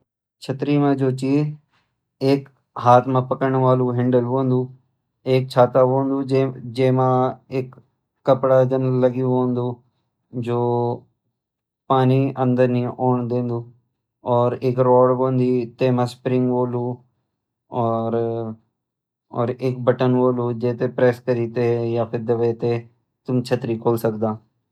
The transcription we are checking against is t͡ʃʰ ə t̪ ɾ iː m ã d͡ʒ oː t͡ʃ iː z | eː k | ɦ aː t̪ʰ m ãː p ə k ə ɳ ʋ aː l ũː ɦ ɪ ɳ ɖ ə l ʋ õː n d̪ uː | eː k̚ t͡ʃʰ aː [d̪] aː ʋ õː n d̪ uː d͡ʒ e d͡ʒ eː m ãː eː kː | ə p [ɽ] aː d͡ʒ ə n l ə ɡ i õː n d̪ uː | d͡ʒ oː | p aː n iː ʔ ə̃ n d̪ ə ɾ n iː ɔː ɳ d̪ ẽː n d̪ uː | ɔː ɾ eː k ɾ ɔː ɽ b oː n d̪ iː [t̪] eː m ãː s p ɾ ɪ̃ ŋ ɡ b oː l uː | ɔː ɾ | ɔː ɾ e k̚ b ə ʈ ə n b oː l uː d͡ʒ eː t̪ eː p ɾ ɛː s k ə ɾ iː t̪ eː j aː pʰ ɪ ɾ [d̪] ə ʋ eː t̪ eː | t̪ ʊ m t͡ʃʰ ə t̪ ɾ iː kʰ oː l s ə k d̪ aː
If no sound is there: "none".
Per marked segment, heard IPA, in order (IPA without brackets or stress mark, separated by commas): t̪, ɽ, t̪, d̪